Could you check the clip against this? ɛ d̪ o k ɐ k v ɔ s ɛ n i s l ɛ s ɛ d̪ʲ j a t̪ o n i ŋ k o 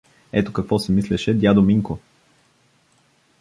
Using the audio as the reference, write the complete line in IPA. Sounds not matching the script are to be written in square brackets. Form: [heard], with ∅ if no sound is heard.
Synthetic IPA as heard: ɛ [t̪] o k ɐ k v ɔ s ɛ [m] i s l ɛ [ʃ] ɛ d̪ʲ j a [d̪] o [m] i ŋ k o